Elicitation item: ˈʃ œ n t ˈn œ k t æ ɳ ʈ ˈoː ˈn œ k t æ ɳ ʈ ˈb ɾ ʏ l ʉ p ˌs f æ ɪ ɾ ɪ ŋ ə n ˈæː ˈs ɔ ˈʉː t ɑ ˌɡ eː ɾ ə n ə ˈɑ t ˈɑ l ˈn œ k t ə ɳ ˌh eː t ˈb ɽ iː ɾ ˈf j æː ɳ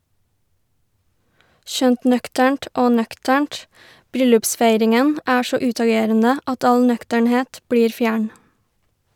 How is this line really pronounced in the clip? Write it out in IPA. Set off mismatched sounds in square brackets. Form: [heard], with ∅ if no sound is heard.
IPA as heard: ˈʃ œ n t ˈn œ k t æ ɳ ʈ ˈoː ˈn œ k t æ ɳ ʈ ˈb ɾ ʏ l ʉ p ˌs f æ ɪ ɾ ɪ ŋ ə n ˈæː ˈs ɔ ˈʉː t ɑ ˌɡ eː ɾ ə n ə ˈɑ t ˈɑ l ˈn œ k t ə ɳ ˌh eː t ˈb ɽ iː ɾ ˈf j æː ɳ